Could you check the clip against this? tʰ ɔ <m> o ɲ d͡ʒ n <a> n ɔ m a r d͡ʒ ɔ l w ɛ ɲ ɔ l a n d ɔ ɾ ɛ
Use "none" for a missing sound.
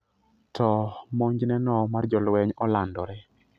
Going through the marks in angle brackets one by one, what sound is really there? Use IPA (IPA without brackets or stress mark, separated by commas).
m, ɛ